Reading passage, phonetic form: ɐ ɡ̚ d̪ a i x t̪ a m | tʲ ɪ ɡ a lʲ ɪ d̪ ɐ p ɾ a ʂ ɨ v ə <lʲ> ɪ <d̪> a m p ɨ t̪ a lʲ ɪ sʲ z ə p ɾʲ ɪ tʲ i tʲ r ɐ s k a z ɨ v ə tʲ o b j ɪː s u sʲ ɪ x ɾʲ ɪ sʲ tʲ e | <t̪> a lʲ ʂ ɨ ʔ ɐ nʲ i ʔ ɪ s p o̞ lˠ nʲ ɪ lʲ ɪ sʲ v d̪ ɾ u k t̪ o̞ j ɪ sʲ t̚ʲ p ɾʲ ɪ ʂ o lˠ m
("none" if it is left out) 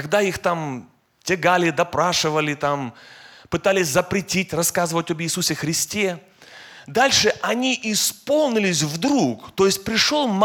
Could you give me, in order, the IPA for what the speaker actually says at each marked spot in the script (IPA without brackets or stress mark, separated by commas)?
lʲ, t̪, d̪